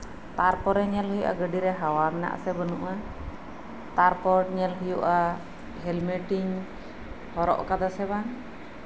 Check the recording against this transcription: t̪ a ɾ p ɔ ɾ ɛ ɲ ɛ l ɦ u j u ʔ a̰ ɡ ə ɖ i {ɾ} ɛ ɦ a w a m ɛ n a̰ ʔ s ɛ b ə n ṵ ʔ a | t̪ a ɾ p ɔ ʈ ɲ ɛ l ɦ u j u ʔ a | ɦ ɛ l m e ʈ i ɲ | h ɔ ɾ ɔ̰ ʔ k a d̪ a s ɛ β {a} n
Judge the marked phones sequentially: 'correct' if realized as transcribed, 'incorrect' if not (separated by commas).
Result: correct, correct